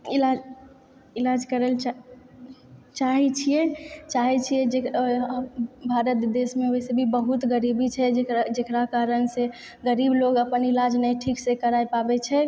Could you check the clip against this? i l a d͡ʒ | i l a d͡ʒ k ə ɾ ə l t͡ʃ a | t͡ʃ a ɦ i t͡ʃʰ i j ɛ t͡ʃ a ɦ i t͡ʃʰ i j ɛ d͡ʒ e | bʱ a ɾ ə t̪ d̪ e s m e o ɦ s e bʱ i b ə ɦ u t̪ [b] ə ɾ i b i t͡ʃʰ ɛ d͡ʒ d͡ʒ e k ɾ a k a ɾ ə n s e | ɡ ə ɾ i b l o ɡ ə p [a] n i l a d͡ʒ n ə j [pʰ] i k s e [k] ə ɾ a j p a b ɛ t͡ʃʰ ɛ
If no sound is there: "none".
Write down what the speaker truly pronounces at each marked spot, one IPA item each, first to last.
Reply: ɡ, ə, ʈʰ, k

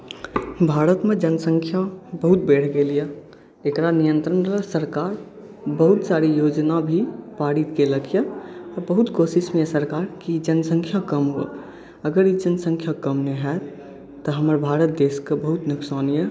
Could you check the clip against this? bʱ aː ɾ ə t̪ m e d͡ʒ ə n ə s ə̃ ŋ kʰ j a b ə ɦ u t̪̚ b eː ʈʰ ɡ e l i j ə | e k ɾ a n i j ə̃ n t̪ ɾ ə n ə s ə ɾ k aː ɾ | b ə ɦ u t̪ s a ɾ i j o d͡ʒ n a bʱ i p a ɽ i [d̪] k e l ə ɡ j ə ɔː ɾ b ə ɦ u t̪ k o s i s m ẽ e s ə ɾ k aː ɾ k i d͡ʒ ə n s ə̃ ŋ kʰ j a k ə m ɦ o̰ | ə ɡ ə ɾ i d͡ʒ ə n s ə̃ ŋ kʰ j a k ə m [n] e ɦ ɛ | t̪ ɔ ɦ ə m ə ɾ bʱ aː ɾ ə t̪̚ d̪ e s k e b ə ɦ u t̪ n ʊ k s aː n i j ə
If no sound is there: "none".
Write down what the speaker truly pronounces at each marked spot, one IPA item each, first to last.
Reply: t̪, n

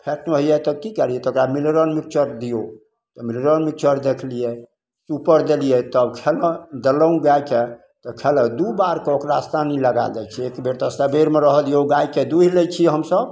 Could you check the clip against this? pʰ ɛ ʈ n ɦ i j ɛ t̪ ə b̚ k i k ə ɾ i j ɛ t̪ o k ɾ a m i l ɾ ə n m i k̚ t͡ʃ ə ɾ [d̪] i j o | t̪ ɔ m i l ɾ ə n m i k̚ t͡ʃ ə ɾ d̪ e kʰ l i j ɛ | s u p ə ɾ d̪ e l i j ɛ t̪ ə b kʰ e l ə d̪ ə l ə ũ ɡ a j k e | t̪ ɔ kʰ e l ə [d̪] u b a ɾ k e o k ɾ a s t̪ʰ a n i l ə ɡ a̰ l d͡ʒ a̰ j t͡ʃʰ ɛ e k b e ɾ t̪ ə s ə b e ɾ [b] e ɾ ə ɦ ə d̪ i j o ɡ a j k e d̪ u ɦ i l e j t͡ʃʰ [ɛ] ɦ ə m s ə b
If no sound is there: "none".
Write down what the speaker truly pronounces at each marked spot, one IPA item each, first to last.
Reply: d̪, d̪, m, i

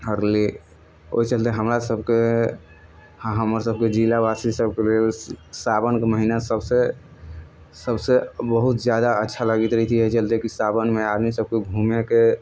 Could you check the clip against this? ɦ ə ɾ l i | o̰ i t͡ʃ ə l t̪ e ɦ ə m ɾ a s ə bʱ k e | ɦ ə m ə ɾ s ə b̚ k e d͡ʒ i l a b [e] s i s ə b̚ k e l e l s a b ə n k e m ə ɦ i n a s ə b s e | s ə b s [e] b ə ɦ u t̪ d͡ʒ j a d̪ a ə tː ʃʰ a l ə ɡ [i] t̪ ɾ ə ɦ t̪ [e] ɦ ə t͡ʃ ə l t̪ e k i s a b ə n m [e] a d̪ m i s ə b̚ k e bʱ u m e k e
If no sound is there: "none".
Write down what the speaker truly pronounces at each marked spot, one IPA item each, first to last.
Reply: a, e, i, i, e

